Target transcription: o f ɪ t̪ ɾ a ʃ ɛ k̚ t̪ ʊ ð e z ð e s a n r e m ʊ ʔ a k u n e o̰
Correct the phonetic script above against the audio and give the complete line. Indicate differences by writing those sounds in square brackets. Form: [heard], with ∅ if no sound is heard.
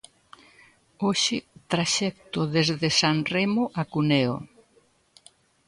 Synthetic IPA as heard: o [ʃ] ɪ t̪ ɾ a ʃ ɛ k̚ t̪ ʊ ð e z ð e s a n r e m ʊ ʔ a k u n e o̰